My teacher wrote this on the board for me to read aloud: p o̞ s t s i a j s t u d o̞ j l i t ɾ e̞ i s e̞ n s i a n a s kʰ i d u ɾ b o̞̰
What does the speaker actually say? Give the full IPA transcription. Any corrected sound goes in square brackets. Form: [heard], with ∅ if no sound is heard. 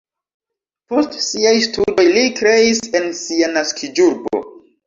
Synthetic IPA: p o̞ s t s i a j s t u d o̞ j l i [k] ɾ e̞ i s e̞ n s i a n a s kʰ i [d͡ʒ] u ɾ b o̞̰

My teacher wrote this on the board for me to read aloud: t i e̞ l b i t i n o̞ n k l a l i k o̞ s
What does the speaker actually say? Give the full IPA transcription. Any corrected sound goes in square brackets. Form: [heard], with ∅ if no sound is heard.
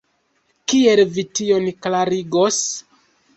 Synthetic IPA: [k] i e̞ l [v] i t i [∅] o̞ n k l a [ɾ] i [ɡ] o̞ s

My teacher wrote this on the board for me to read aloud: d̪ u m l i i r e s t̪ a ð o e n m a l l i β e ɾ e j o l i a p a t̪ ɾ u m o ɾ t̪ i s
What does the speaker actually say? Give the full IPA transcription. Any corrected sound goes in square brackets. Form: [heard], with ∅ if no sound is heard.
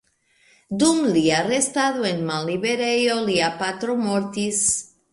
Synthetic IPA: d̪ u m l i [a] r e s t̪ a ð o e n m a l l i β e ɾ e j o l i a p a t̪ ɾ [o] m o ɾ t̪ i s

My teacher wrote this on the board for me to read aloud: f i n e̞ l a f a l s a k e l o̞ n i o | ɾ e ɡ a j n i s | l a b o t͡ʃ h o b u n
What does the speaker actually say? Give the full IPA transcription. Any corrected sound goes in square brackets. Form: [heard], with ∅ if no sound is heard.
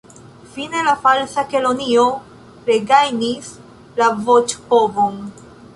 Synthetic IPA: f i n e̞ l a f a l s a k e l o̞ n i o | ɾ e ɡ a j n i s | l a [v] o t͡ʃ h o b [o] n

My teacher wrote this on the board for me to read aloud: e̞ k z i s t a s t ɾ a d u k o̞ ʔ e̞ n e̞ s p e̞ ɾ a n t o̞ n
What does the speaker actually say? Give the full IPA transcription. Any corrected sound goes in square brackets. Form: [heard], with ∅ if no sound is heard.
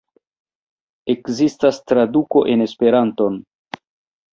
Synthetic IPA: e̞ k z i s t a s t ɾ a d u k o̞ ʔ e̞ n e̞ s p e̞ ɾ a n t o̞ n

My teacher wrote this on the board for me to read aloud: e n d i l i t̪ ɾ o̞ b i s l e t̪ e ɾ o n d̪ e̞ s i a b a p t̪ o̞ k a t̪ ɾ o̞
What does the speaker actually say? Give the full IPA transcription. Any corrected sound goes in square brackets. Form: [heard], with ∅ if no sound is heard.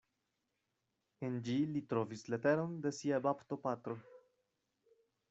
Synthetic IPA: e n [d͡ʒ] i l i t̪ ɾ o̞ [v] i s l e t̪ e ɾ o n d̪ e̞ s i a b a p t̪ o̞ [p] a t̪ ɾ o̞

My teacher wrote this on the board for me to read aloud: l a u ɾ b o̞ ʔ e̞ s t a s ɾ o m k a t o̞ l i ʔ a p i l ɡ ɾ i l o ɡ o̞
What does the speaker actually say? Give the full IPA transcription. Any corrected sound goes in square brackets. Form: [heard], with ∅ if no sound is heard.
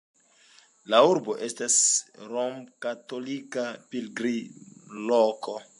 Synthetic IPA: l a u ɾ b o̞ ʔ e̞ s t a s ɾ o m k a t o̞ l i [k] a p i l ɡ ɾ i l o [k] o̞

